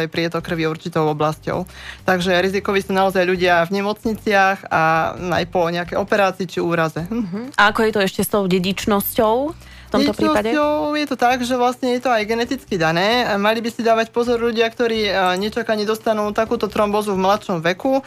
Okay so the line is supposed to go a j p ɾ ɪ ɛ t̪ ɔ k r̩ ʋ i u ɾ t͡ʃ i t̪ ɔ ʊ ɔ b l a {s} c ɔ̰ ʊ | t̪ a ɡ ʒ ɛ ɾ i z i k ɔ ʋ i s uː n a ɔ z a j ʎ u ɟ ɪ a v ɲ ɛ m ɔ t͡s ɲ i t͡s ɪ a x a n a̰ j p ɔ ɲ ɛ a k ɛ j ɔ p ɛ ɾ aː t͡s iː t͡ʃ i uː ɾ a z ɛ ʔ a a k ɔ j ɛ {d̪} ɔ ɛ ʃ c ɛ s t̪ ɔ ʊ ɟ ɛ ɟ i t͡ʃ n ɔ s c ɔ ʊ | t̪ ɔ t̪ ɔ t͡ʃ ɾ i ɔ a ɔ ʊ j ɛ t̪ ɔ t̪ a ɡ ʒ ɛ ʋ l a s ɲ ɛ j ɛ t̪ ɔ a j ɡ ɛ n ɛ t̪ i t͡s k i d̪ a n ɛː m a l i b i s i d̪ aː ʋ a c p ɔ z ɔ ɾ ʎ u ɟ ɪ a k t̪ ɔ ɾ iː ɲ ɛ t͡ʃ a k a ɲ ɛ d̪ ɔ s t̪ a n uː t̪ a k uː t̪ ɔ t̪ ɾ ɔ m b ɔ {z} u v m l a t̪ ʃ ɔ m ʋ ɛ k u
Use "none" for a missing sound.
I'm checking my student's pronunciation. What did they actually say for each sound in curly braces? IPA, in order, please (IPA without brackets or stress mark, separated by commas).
s, t̪, z